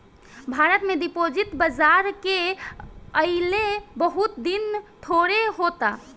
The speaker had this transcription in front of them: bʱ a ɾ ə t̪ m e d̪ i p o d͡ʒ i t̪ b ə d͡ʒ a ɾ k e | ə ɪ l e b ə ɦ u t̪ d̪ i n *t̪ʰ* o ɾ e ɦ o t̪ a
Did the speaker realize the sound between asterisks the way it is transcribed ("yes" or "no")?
yes